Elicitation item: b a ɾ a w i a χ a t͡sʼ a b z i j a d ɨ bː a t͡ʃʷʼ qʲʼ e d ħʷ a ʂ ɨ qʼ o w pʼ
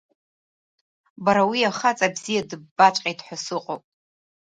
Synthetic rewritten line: b a ɾ a w i a χ a t͡sʼ a b z i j a d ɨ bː a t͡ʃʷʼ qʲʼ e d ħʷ a s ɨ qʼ o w pʼ